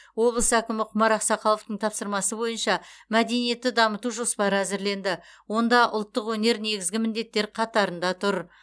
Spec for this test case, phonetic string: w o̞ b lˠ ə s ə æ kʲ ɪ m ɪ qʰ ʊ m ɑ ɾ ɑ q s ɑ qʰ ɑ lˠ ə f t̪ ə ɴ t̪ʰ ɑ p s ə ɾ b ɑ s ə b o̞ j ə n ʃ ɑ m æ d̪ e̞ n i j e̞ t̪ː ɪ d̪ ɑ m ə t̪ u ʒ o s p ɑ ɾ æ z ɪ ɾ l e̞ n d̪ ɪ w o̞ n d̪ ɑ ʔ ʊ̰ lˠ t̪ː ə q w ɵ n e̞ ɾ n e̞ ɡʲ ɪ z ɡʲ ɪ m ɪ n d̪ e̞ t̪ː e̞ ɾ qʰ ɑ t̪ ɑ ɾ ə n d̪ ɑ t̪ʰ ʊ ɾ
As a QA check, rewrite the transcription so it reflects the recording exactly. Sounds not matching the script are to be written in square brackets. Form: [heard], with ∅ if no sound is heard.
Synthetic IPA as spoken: w o̞ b lˠ ə s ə æ kʲ ɪ m ɪ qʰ ʊ m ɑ ɾ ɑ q s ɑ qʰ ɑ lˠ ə f t̪ ə ɴ t̪ʰ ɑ p s ə ɾ [m] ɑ s ə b o̞ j ə n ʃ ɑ m æ d̪ e̞ n i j e̞ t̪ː ɪ d̪ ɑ m ə t̪ u ʒ o s p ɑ ɾ æ z ɪ ɾ l e̞ n d̪ ɪ w o̞ n d̪ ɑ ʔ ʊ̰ lˠ t̪ː ə q w ɵ n e̞ ɾ n e̞ ɡʲ ɪ z ɡʲ ɪ m ɪ n d̪ e̞ t̪ː e̞ ɾ qʰ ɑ t̪ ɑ ɾ ə n d̪ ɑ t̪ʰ ʊ ɾ

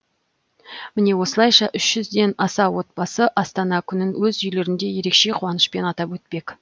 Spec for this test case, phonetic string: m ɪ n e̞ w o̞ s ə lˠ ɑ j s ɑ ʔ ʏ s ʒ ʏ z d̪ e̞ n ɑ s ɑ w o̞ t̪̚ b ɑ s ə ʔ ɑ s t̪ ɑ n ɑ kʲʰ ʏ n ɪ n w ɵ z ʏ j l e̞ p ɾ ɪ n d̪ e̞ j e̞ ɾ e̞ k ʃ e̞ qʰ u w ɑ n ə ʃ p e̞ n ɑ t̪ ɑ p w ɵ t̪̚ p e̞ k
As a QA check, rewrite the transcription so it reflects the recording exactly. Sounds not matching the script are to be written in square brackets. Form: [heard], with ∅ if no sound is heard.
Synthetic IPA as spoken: m ɪ n e̞ w o̞ s ə lˠ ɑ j [ʃ] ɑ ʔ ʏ [ʃ] ʒ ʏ z d̪ e̞ n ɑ s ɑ w o̞ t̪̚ b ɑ s ə ʔ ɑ s t̪ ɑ n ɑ kʲʰ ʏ n ɪ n w ɵ z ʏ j l e̞ [∅] ɾ ɪ n d̪ e̞ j e̞ ɾ e̞ k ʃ e̞ qʰ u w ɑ n ə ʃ p e̞ n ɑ t̪ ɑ p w ɵ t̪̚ p e̞ k

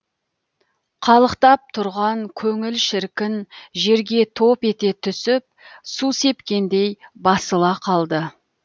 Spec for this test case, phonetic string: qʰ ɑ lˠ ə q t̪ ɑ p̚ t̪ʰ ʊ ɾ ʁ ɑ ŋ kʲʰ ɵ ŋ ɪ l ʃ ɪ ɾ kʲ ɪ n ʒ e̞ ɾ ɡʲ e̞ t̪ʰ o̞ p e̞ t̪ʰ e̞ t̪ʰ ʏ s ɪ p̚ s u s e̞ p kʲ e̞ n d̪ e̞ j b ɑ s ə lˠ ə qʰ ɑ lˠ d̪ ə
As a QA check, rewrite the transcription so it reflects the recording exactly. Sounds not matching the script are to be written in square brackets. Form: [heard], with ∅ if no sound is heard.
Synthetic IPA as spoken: qʰ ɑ lˠ ə q t̪ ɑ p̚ t̪ʰ ʊ ɾ ʁ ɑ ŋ kʲʰ ɵ ŋ ɪ l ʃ ɪ ɾ kʲ ɪ n ʒ e̞ ɾ ɡʲ e̞ t̪ʰ o̞ p e̞ [t̪] e̞ t̪ʰ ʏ s ɪ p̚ s u s e̞ p kʲ e̞ n d̪ e̞ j b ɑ s ə lˠ [ɑ] qʰ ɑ lˠ d̪ ə

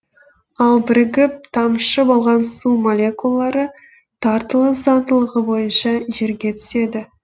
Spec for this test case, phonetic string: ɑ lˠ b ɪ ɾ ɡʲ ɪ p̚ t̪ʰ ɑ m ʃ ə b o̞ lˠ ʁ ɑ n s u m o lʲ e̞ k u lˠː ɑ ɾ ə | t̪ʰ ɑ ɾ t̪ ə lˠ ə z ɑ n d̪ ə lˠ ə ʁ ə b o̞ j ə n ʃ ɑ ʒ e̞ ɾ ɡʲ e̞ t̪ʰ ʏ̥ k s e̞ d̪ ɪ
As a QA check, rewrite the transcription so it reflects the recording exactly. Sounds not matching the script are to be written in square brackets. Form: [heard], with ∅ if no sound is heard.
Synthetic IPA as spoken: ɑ lˠ b ɪ ɾ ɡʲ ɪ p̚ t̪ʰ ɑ m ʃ ə b o̞ lˠ ʁ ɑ n s u m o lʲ e̞ k u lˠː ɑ ɾ ə | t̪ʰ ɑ ɾ t̪ ə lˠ ə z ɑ n d̪ ə lˠ ə ʁ ə b o̞ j ə n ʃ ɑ ʒ e̞ ɾ ɡʲ e̞ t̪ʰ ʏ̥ [∅] s e̞ d̪ ɪ

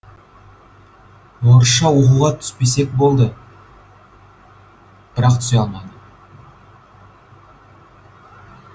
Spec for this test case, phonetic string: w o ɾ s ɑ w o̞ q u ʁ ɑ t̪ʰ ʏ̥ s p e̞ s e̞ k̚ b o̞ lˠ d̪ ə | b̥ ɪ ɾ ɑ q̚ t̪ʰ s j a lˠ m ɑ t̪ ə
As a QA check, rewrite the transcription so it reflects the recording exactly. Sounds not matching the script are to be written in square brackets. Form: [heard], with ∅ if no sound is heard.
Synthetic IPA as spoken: w o ɾ [ʃ] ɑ w o̞ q u ʁ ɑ t̪ʰ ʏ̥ s p e̞ s e̞ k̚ b o̞ lˠ d̪ ə | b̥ ɪ ɾ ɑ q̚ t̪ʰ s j [ɑ] lˠ m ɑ [d̪] ə

